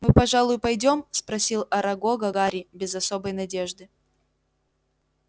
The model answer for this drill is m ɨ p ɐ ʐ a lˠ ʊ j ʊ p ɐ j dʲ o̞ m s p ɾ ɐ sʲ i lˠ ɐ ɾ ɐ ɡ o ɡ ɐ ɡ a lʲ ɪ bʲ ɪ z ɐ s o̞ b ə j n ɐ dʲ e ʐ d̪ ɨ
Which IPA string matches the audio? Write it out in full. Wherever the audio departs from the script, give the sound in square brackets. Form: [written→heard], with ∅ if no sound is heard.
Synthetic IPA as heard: m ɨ p ɐ ʐ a lˠ ʊ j ʊ p ɐ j dʲ o̞ m s p ɾ ɐ sʲ i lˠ ɐ ɾ ɐ ɡ o ɡ ɐ ɡ a [lʲ→ɾʲ] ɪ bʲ ɪ z ɐ s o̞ b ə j n ɐ dʲ e ʐ d̪ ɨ